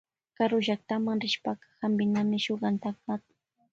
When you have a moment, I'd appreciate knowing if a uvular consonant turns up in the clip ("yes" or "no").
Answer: yes